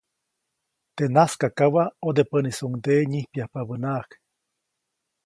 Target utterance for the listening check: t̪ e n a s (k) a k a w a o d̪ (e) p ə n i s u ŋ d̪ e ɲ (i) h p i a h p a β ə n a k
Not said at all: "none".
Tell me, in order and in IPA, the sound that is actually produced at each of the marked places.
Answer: k, e, i

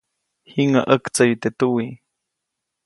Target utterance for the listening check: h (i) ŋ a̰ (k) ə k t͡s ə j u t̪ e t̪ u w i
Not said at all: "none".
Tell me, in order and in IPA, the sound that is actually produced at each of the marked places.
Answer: i, ʔ

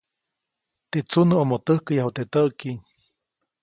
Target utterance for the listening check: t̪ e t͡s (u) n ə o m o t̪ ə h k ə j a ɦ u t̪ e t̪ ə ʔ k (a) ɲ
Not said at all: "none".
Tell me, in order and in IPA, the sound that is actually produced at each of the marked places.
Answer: u, i

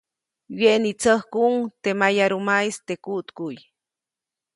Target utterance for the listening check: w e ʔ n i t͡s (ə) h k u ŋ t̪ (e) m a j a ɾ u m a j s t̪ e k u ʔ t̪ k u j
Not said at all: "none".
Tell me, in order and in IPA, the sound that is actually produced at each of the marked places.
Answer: ə, e

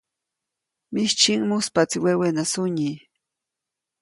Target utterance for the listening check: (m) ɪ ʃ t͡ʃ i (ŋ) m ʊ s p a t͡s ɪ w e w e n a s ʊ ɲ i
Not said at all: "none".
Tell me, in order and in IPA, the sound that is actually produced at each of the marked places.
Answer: m, ŋ

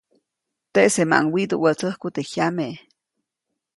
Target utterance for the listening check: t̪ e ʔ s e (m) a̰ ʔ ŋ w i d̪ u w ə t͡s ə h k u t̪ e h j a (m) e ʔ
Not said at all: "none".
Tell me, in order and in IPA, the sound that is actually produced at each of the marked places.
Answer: m, m

